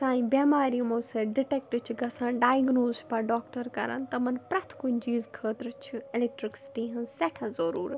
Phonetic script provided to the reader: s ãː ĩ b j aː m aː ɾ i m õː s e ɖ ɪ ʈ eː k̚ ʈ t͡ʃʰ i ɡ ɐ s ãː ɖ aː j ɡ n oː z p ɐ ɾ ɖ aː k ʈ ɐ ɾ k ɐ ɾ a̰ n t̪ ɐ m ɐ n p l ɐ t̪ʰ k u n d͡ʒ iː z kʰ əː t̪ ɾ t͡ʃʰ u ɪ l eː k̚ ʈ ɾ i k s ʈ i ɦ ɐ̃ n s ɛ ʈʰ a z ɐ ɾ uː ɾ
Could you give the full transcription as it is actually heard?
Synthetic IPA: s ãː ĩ b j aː m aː ɾ i m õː s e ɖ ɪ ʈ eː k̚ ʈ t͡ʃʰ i ɡ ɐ s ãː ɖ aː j ɡ n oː z p ɐ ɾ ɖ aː k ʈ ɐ ɾ k ɐ ɾ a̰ n t̪ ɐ m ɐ n p ɾ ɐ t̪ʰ k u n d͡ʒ iː z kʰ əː t̪ ɾ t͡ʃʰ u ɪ l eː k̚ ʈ ɾ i k s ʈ i ɦ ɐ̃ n s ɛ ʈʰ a z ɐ ɾ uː ɾ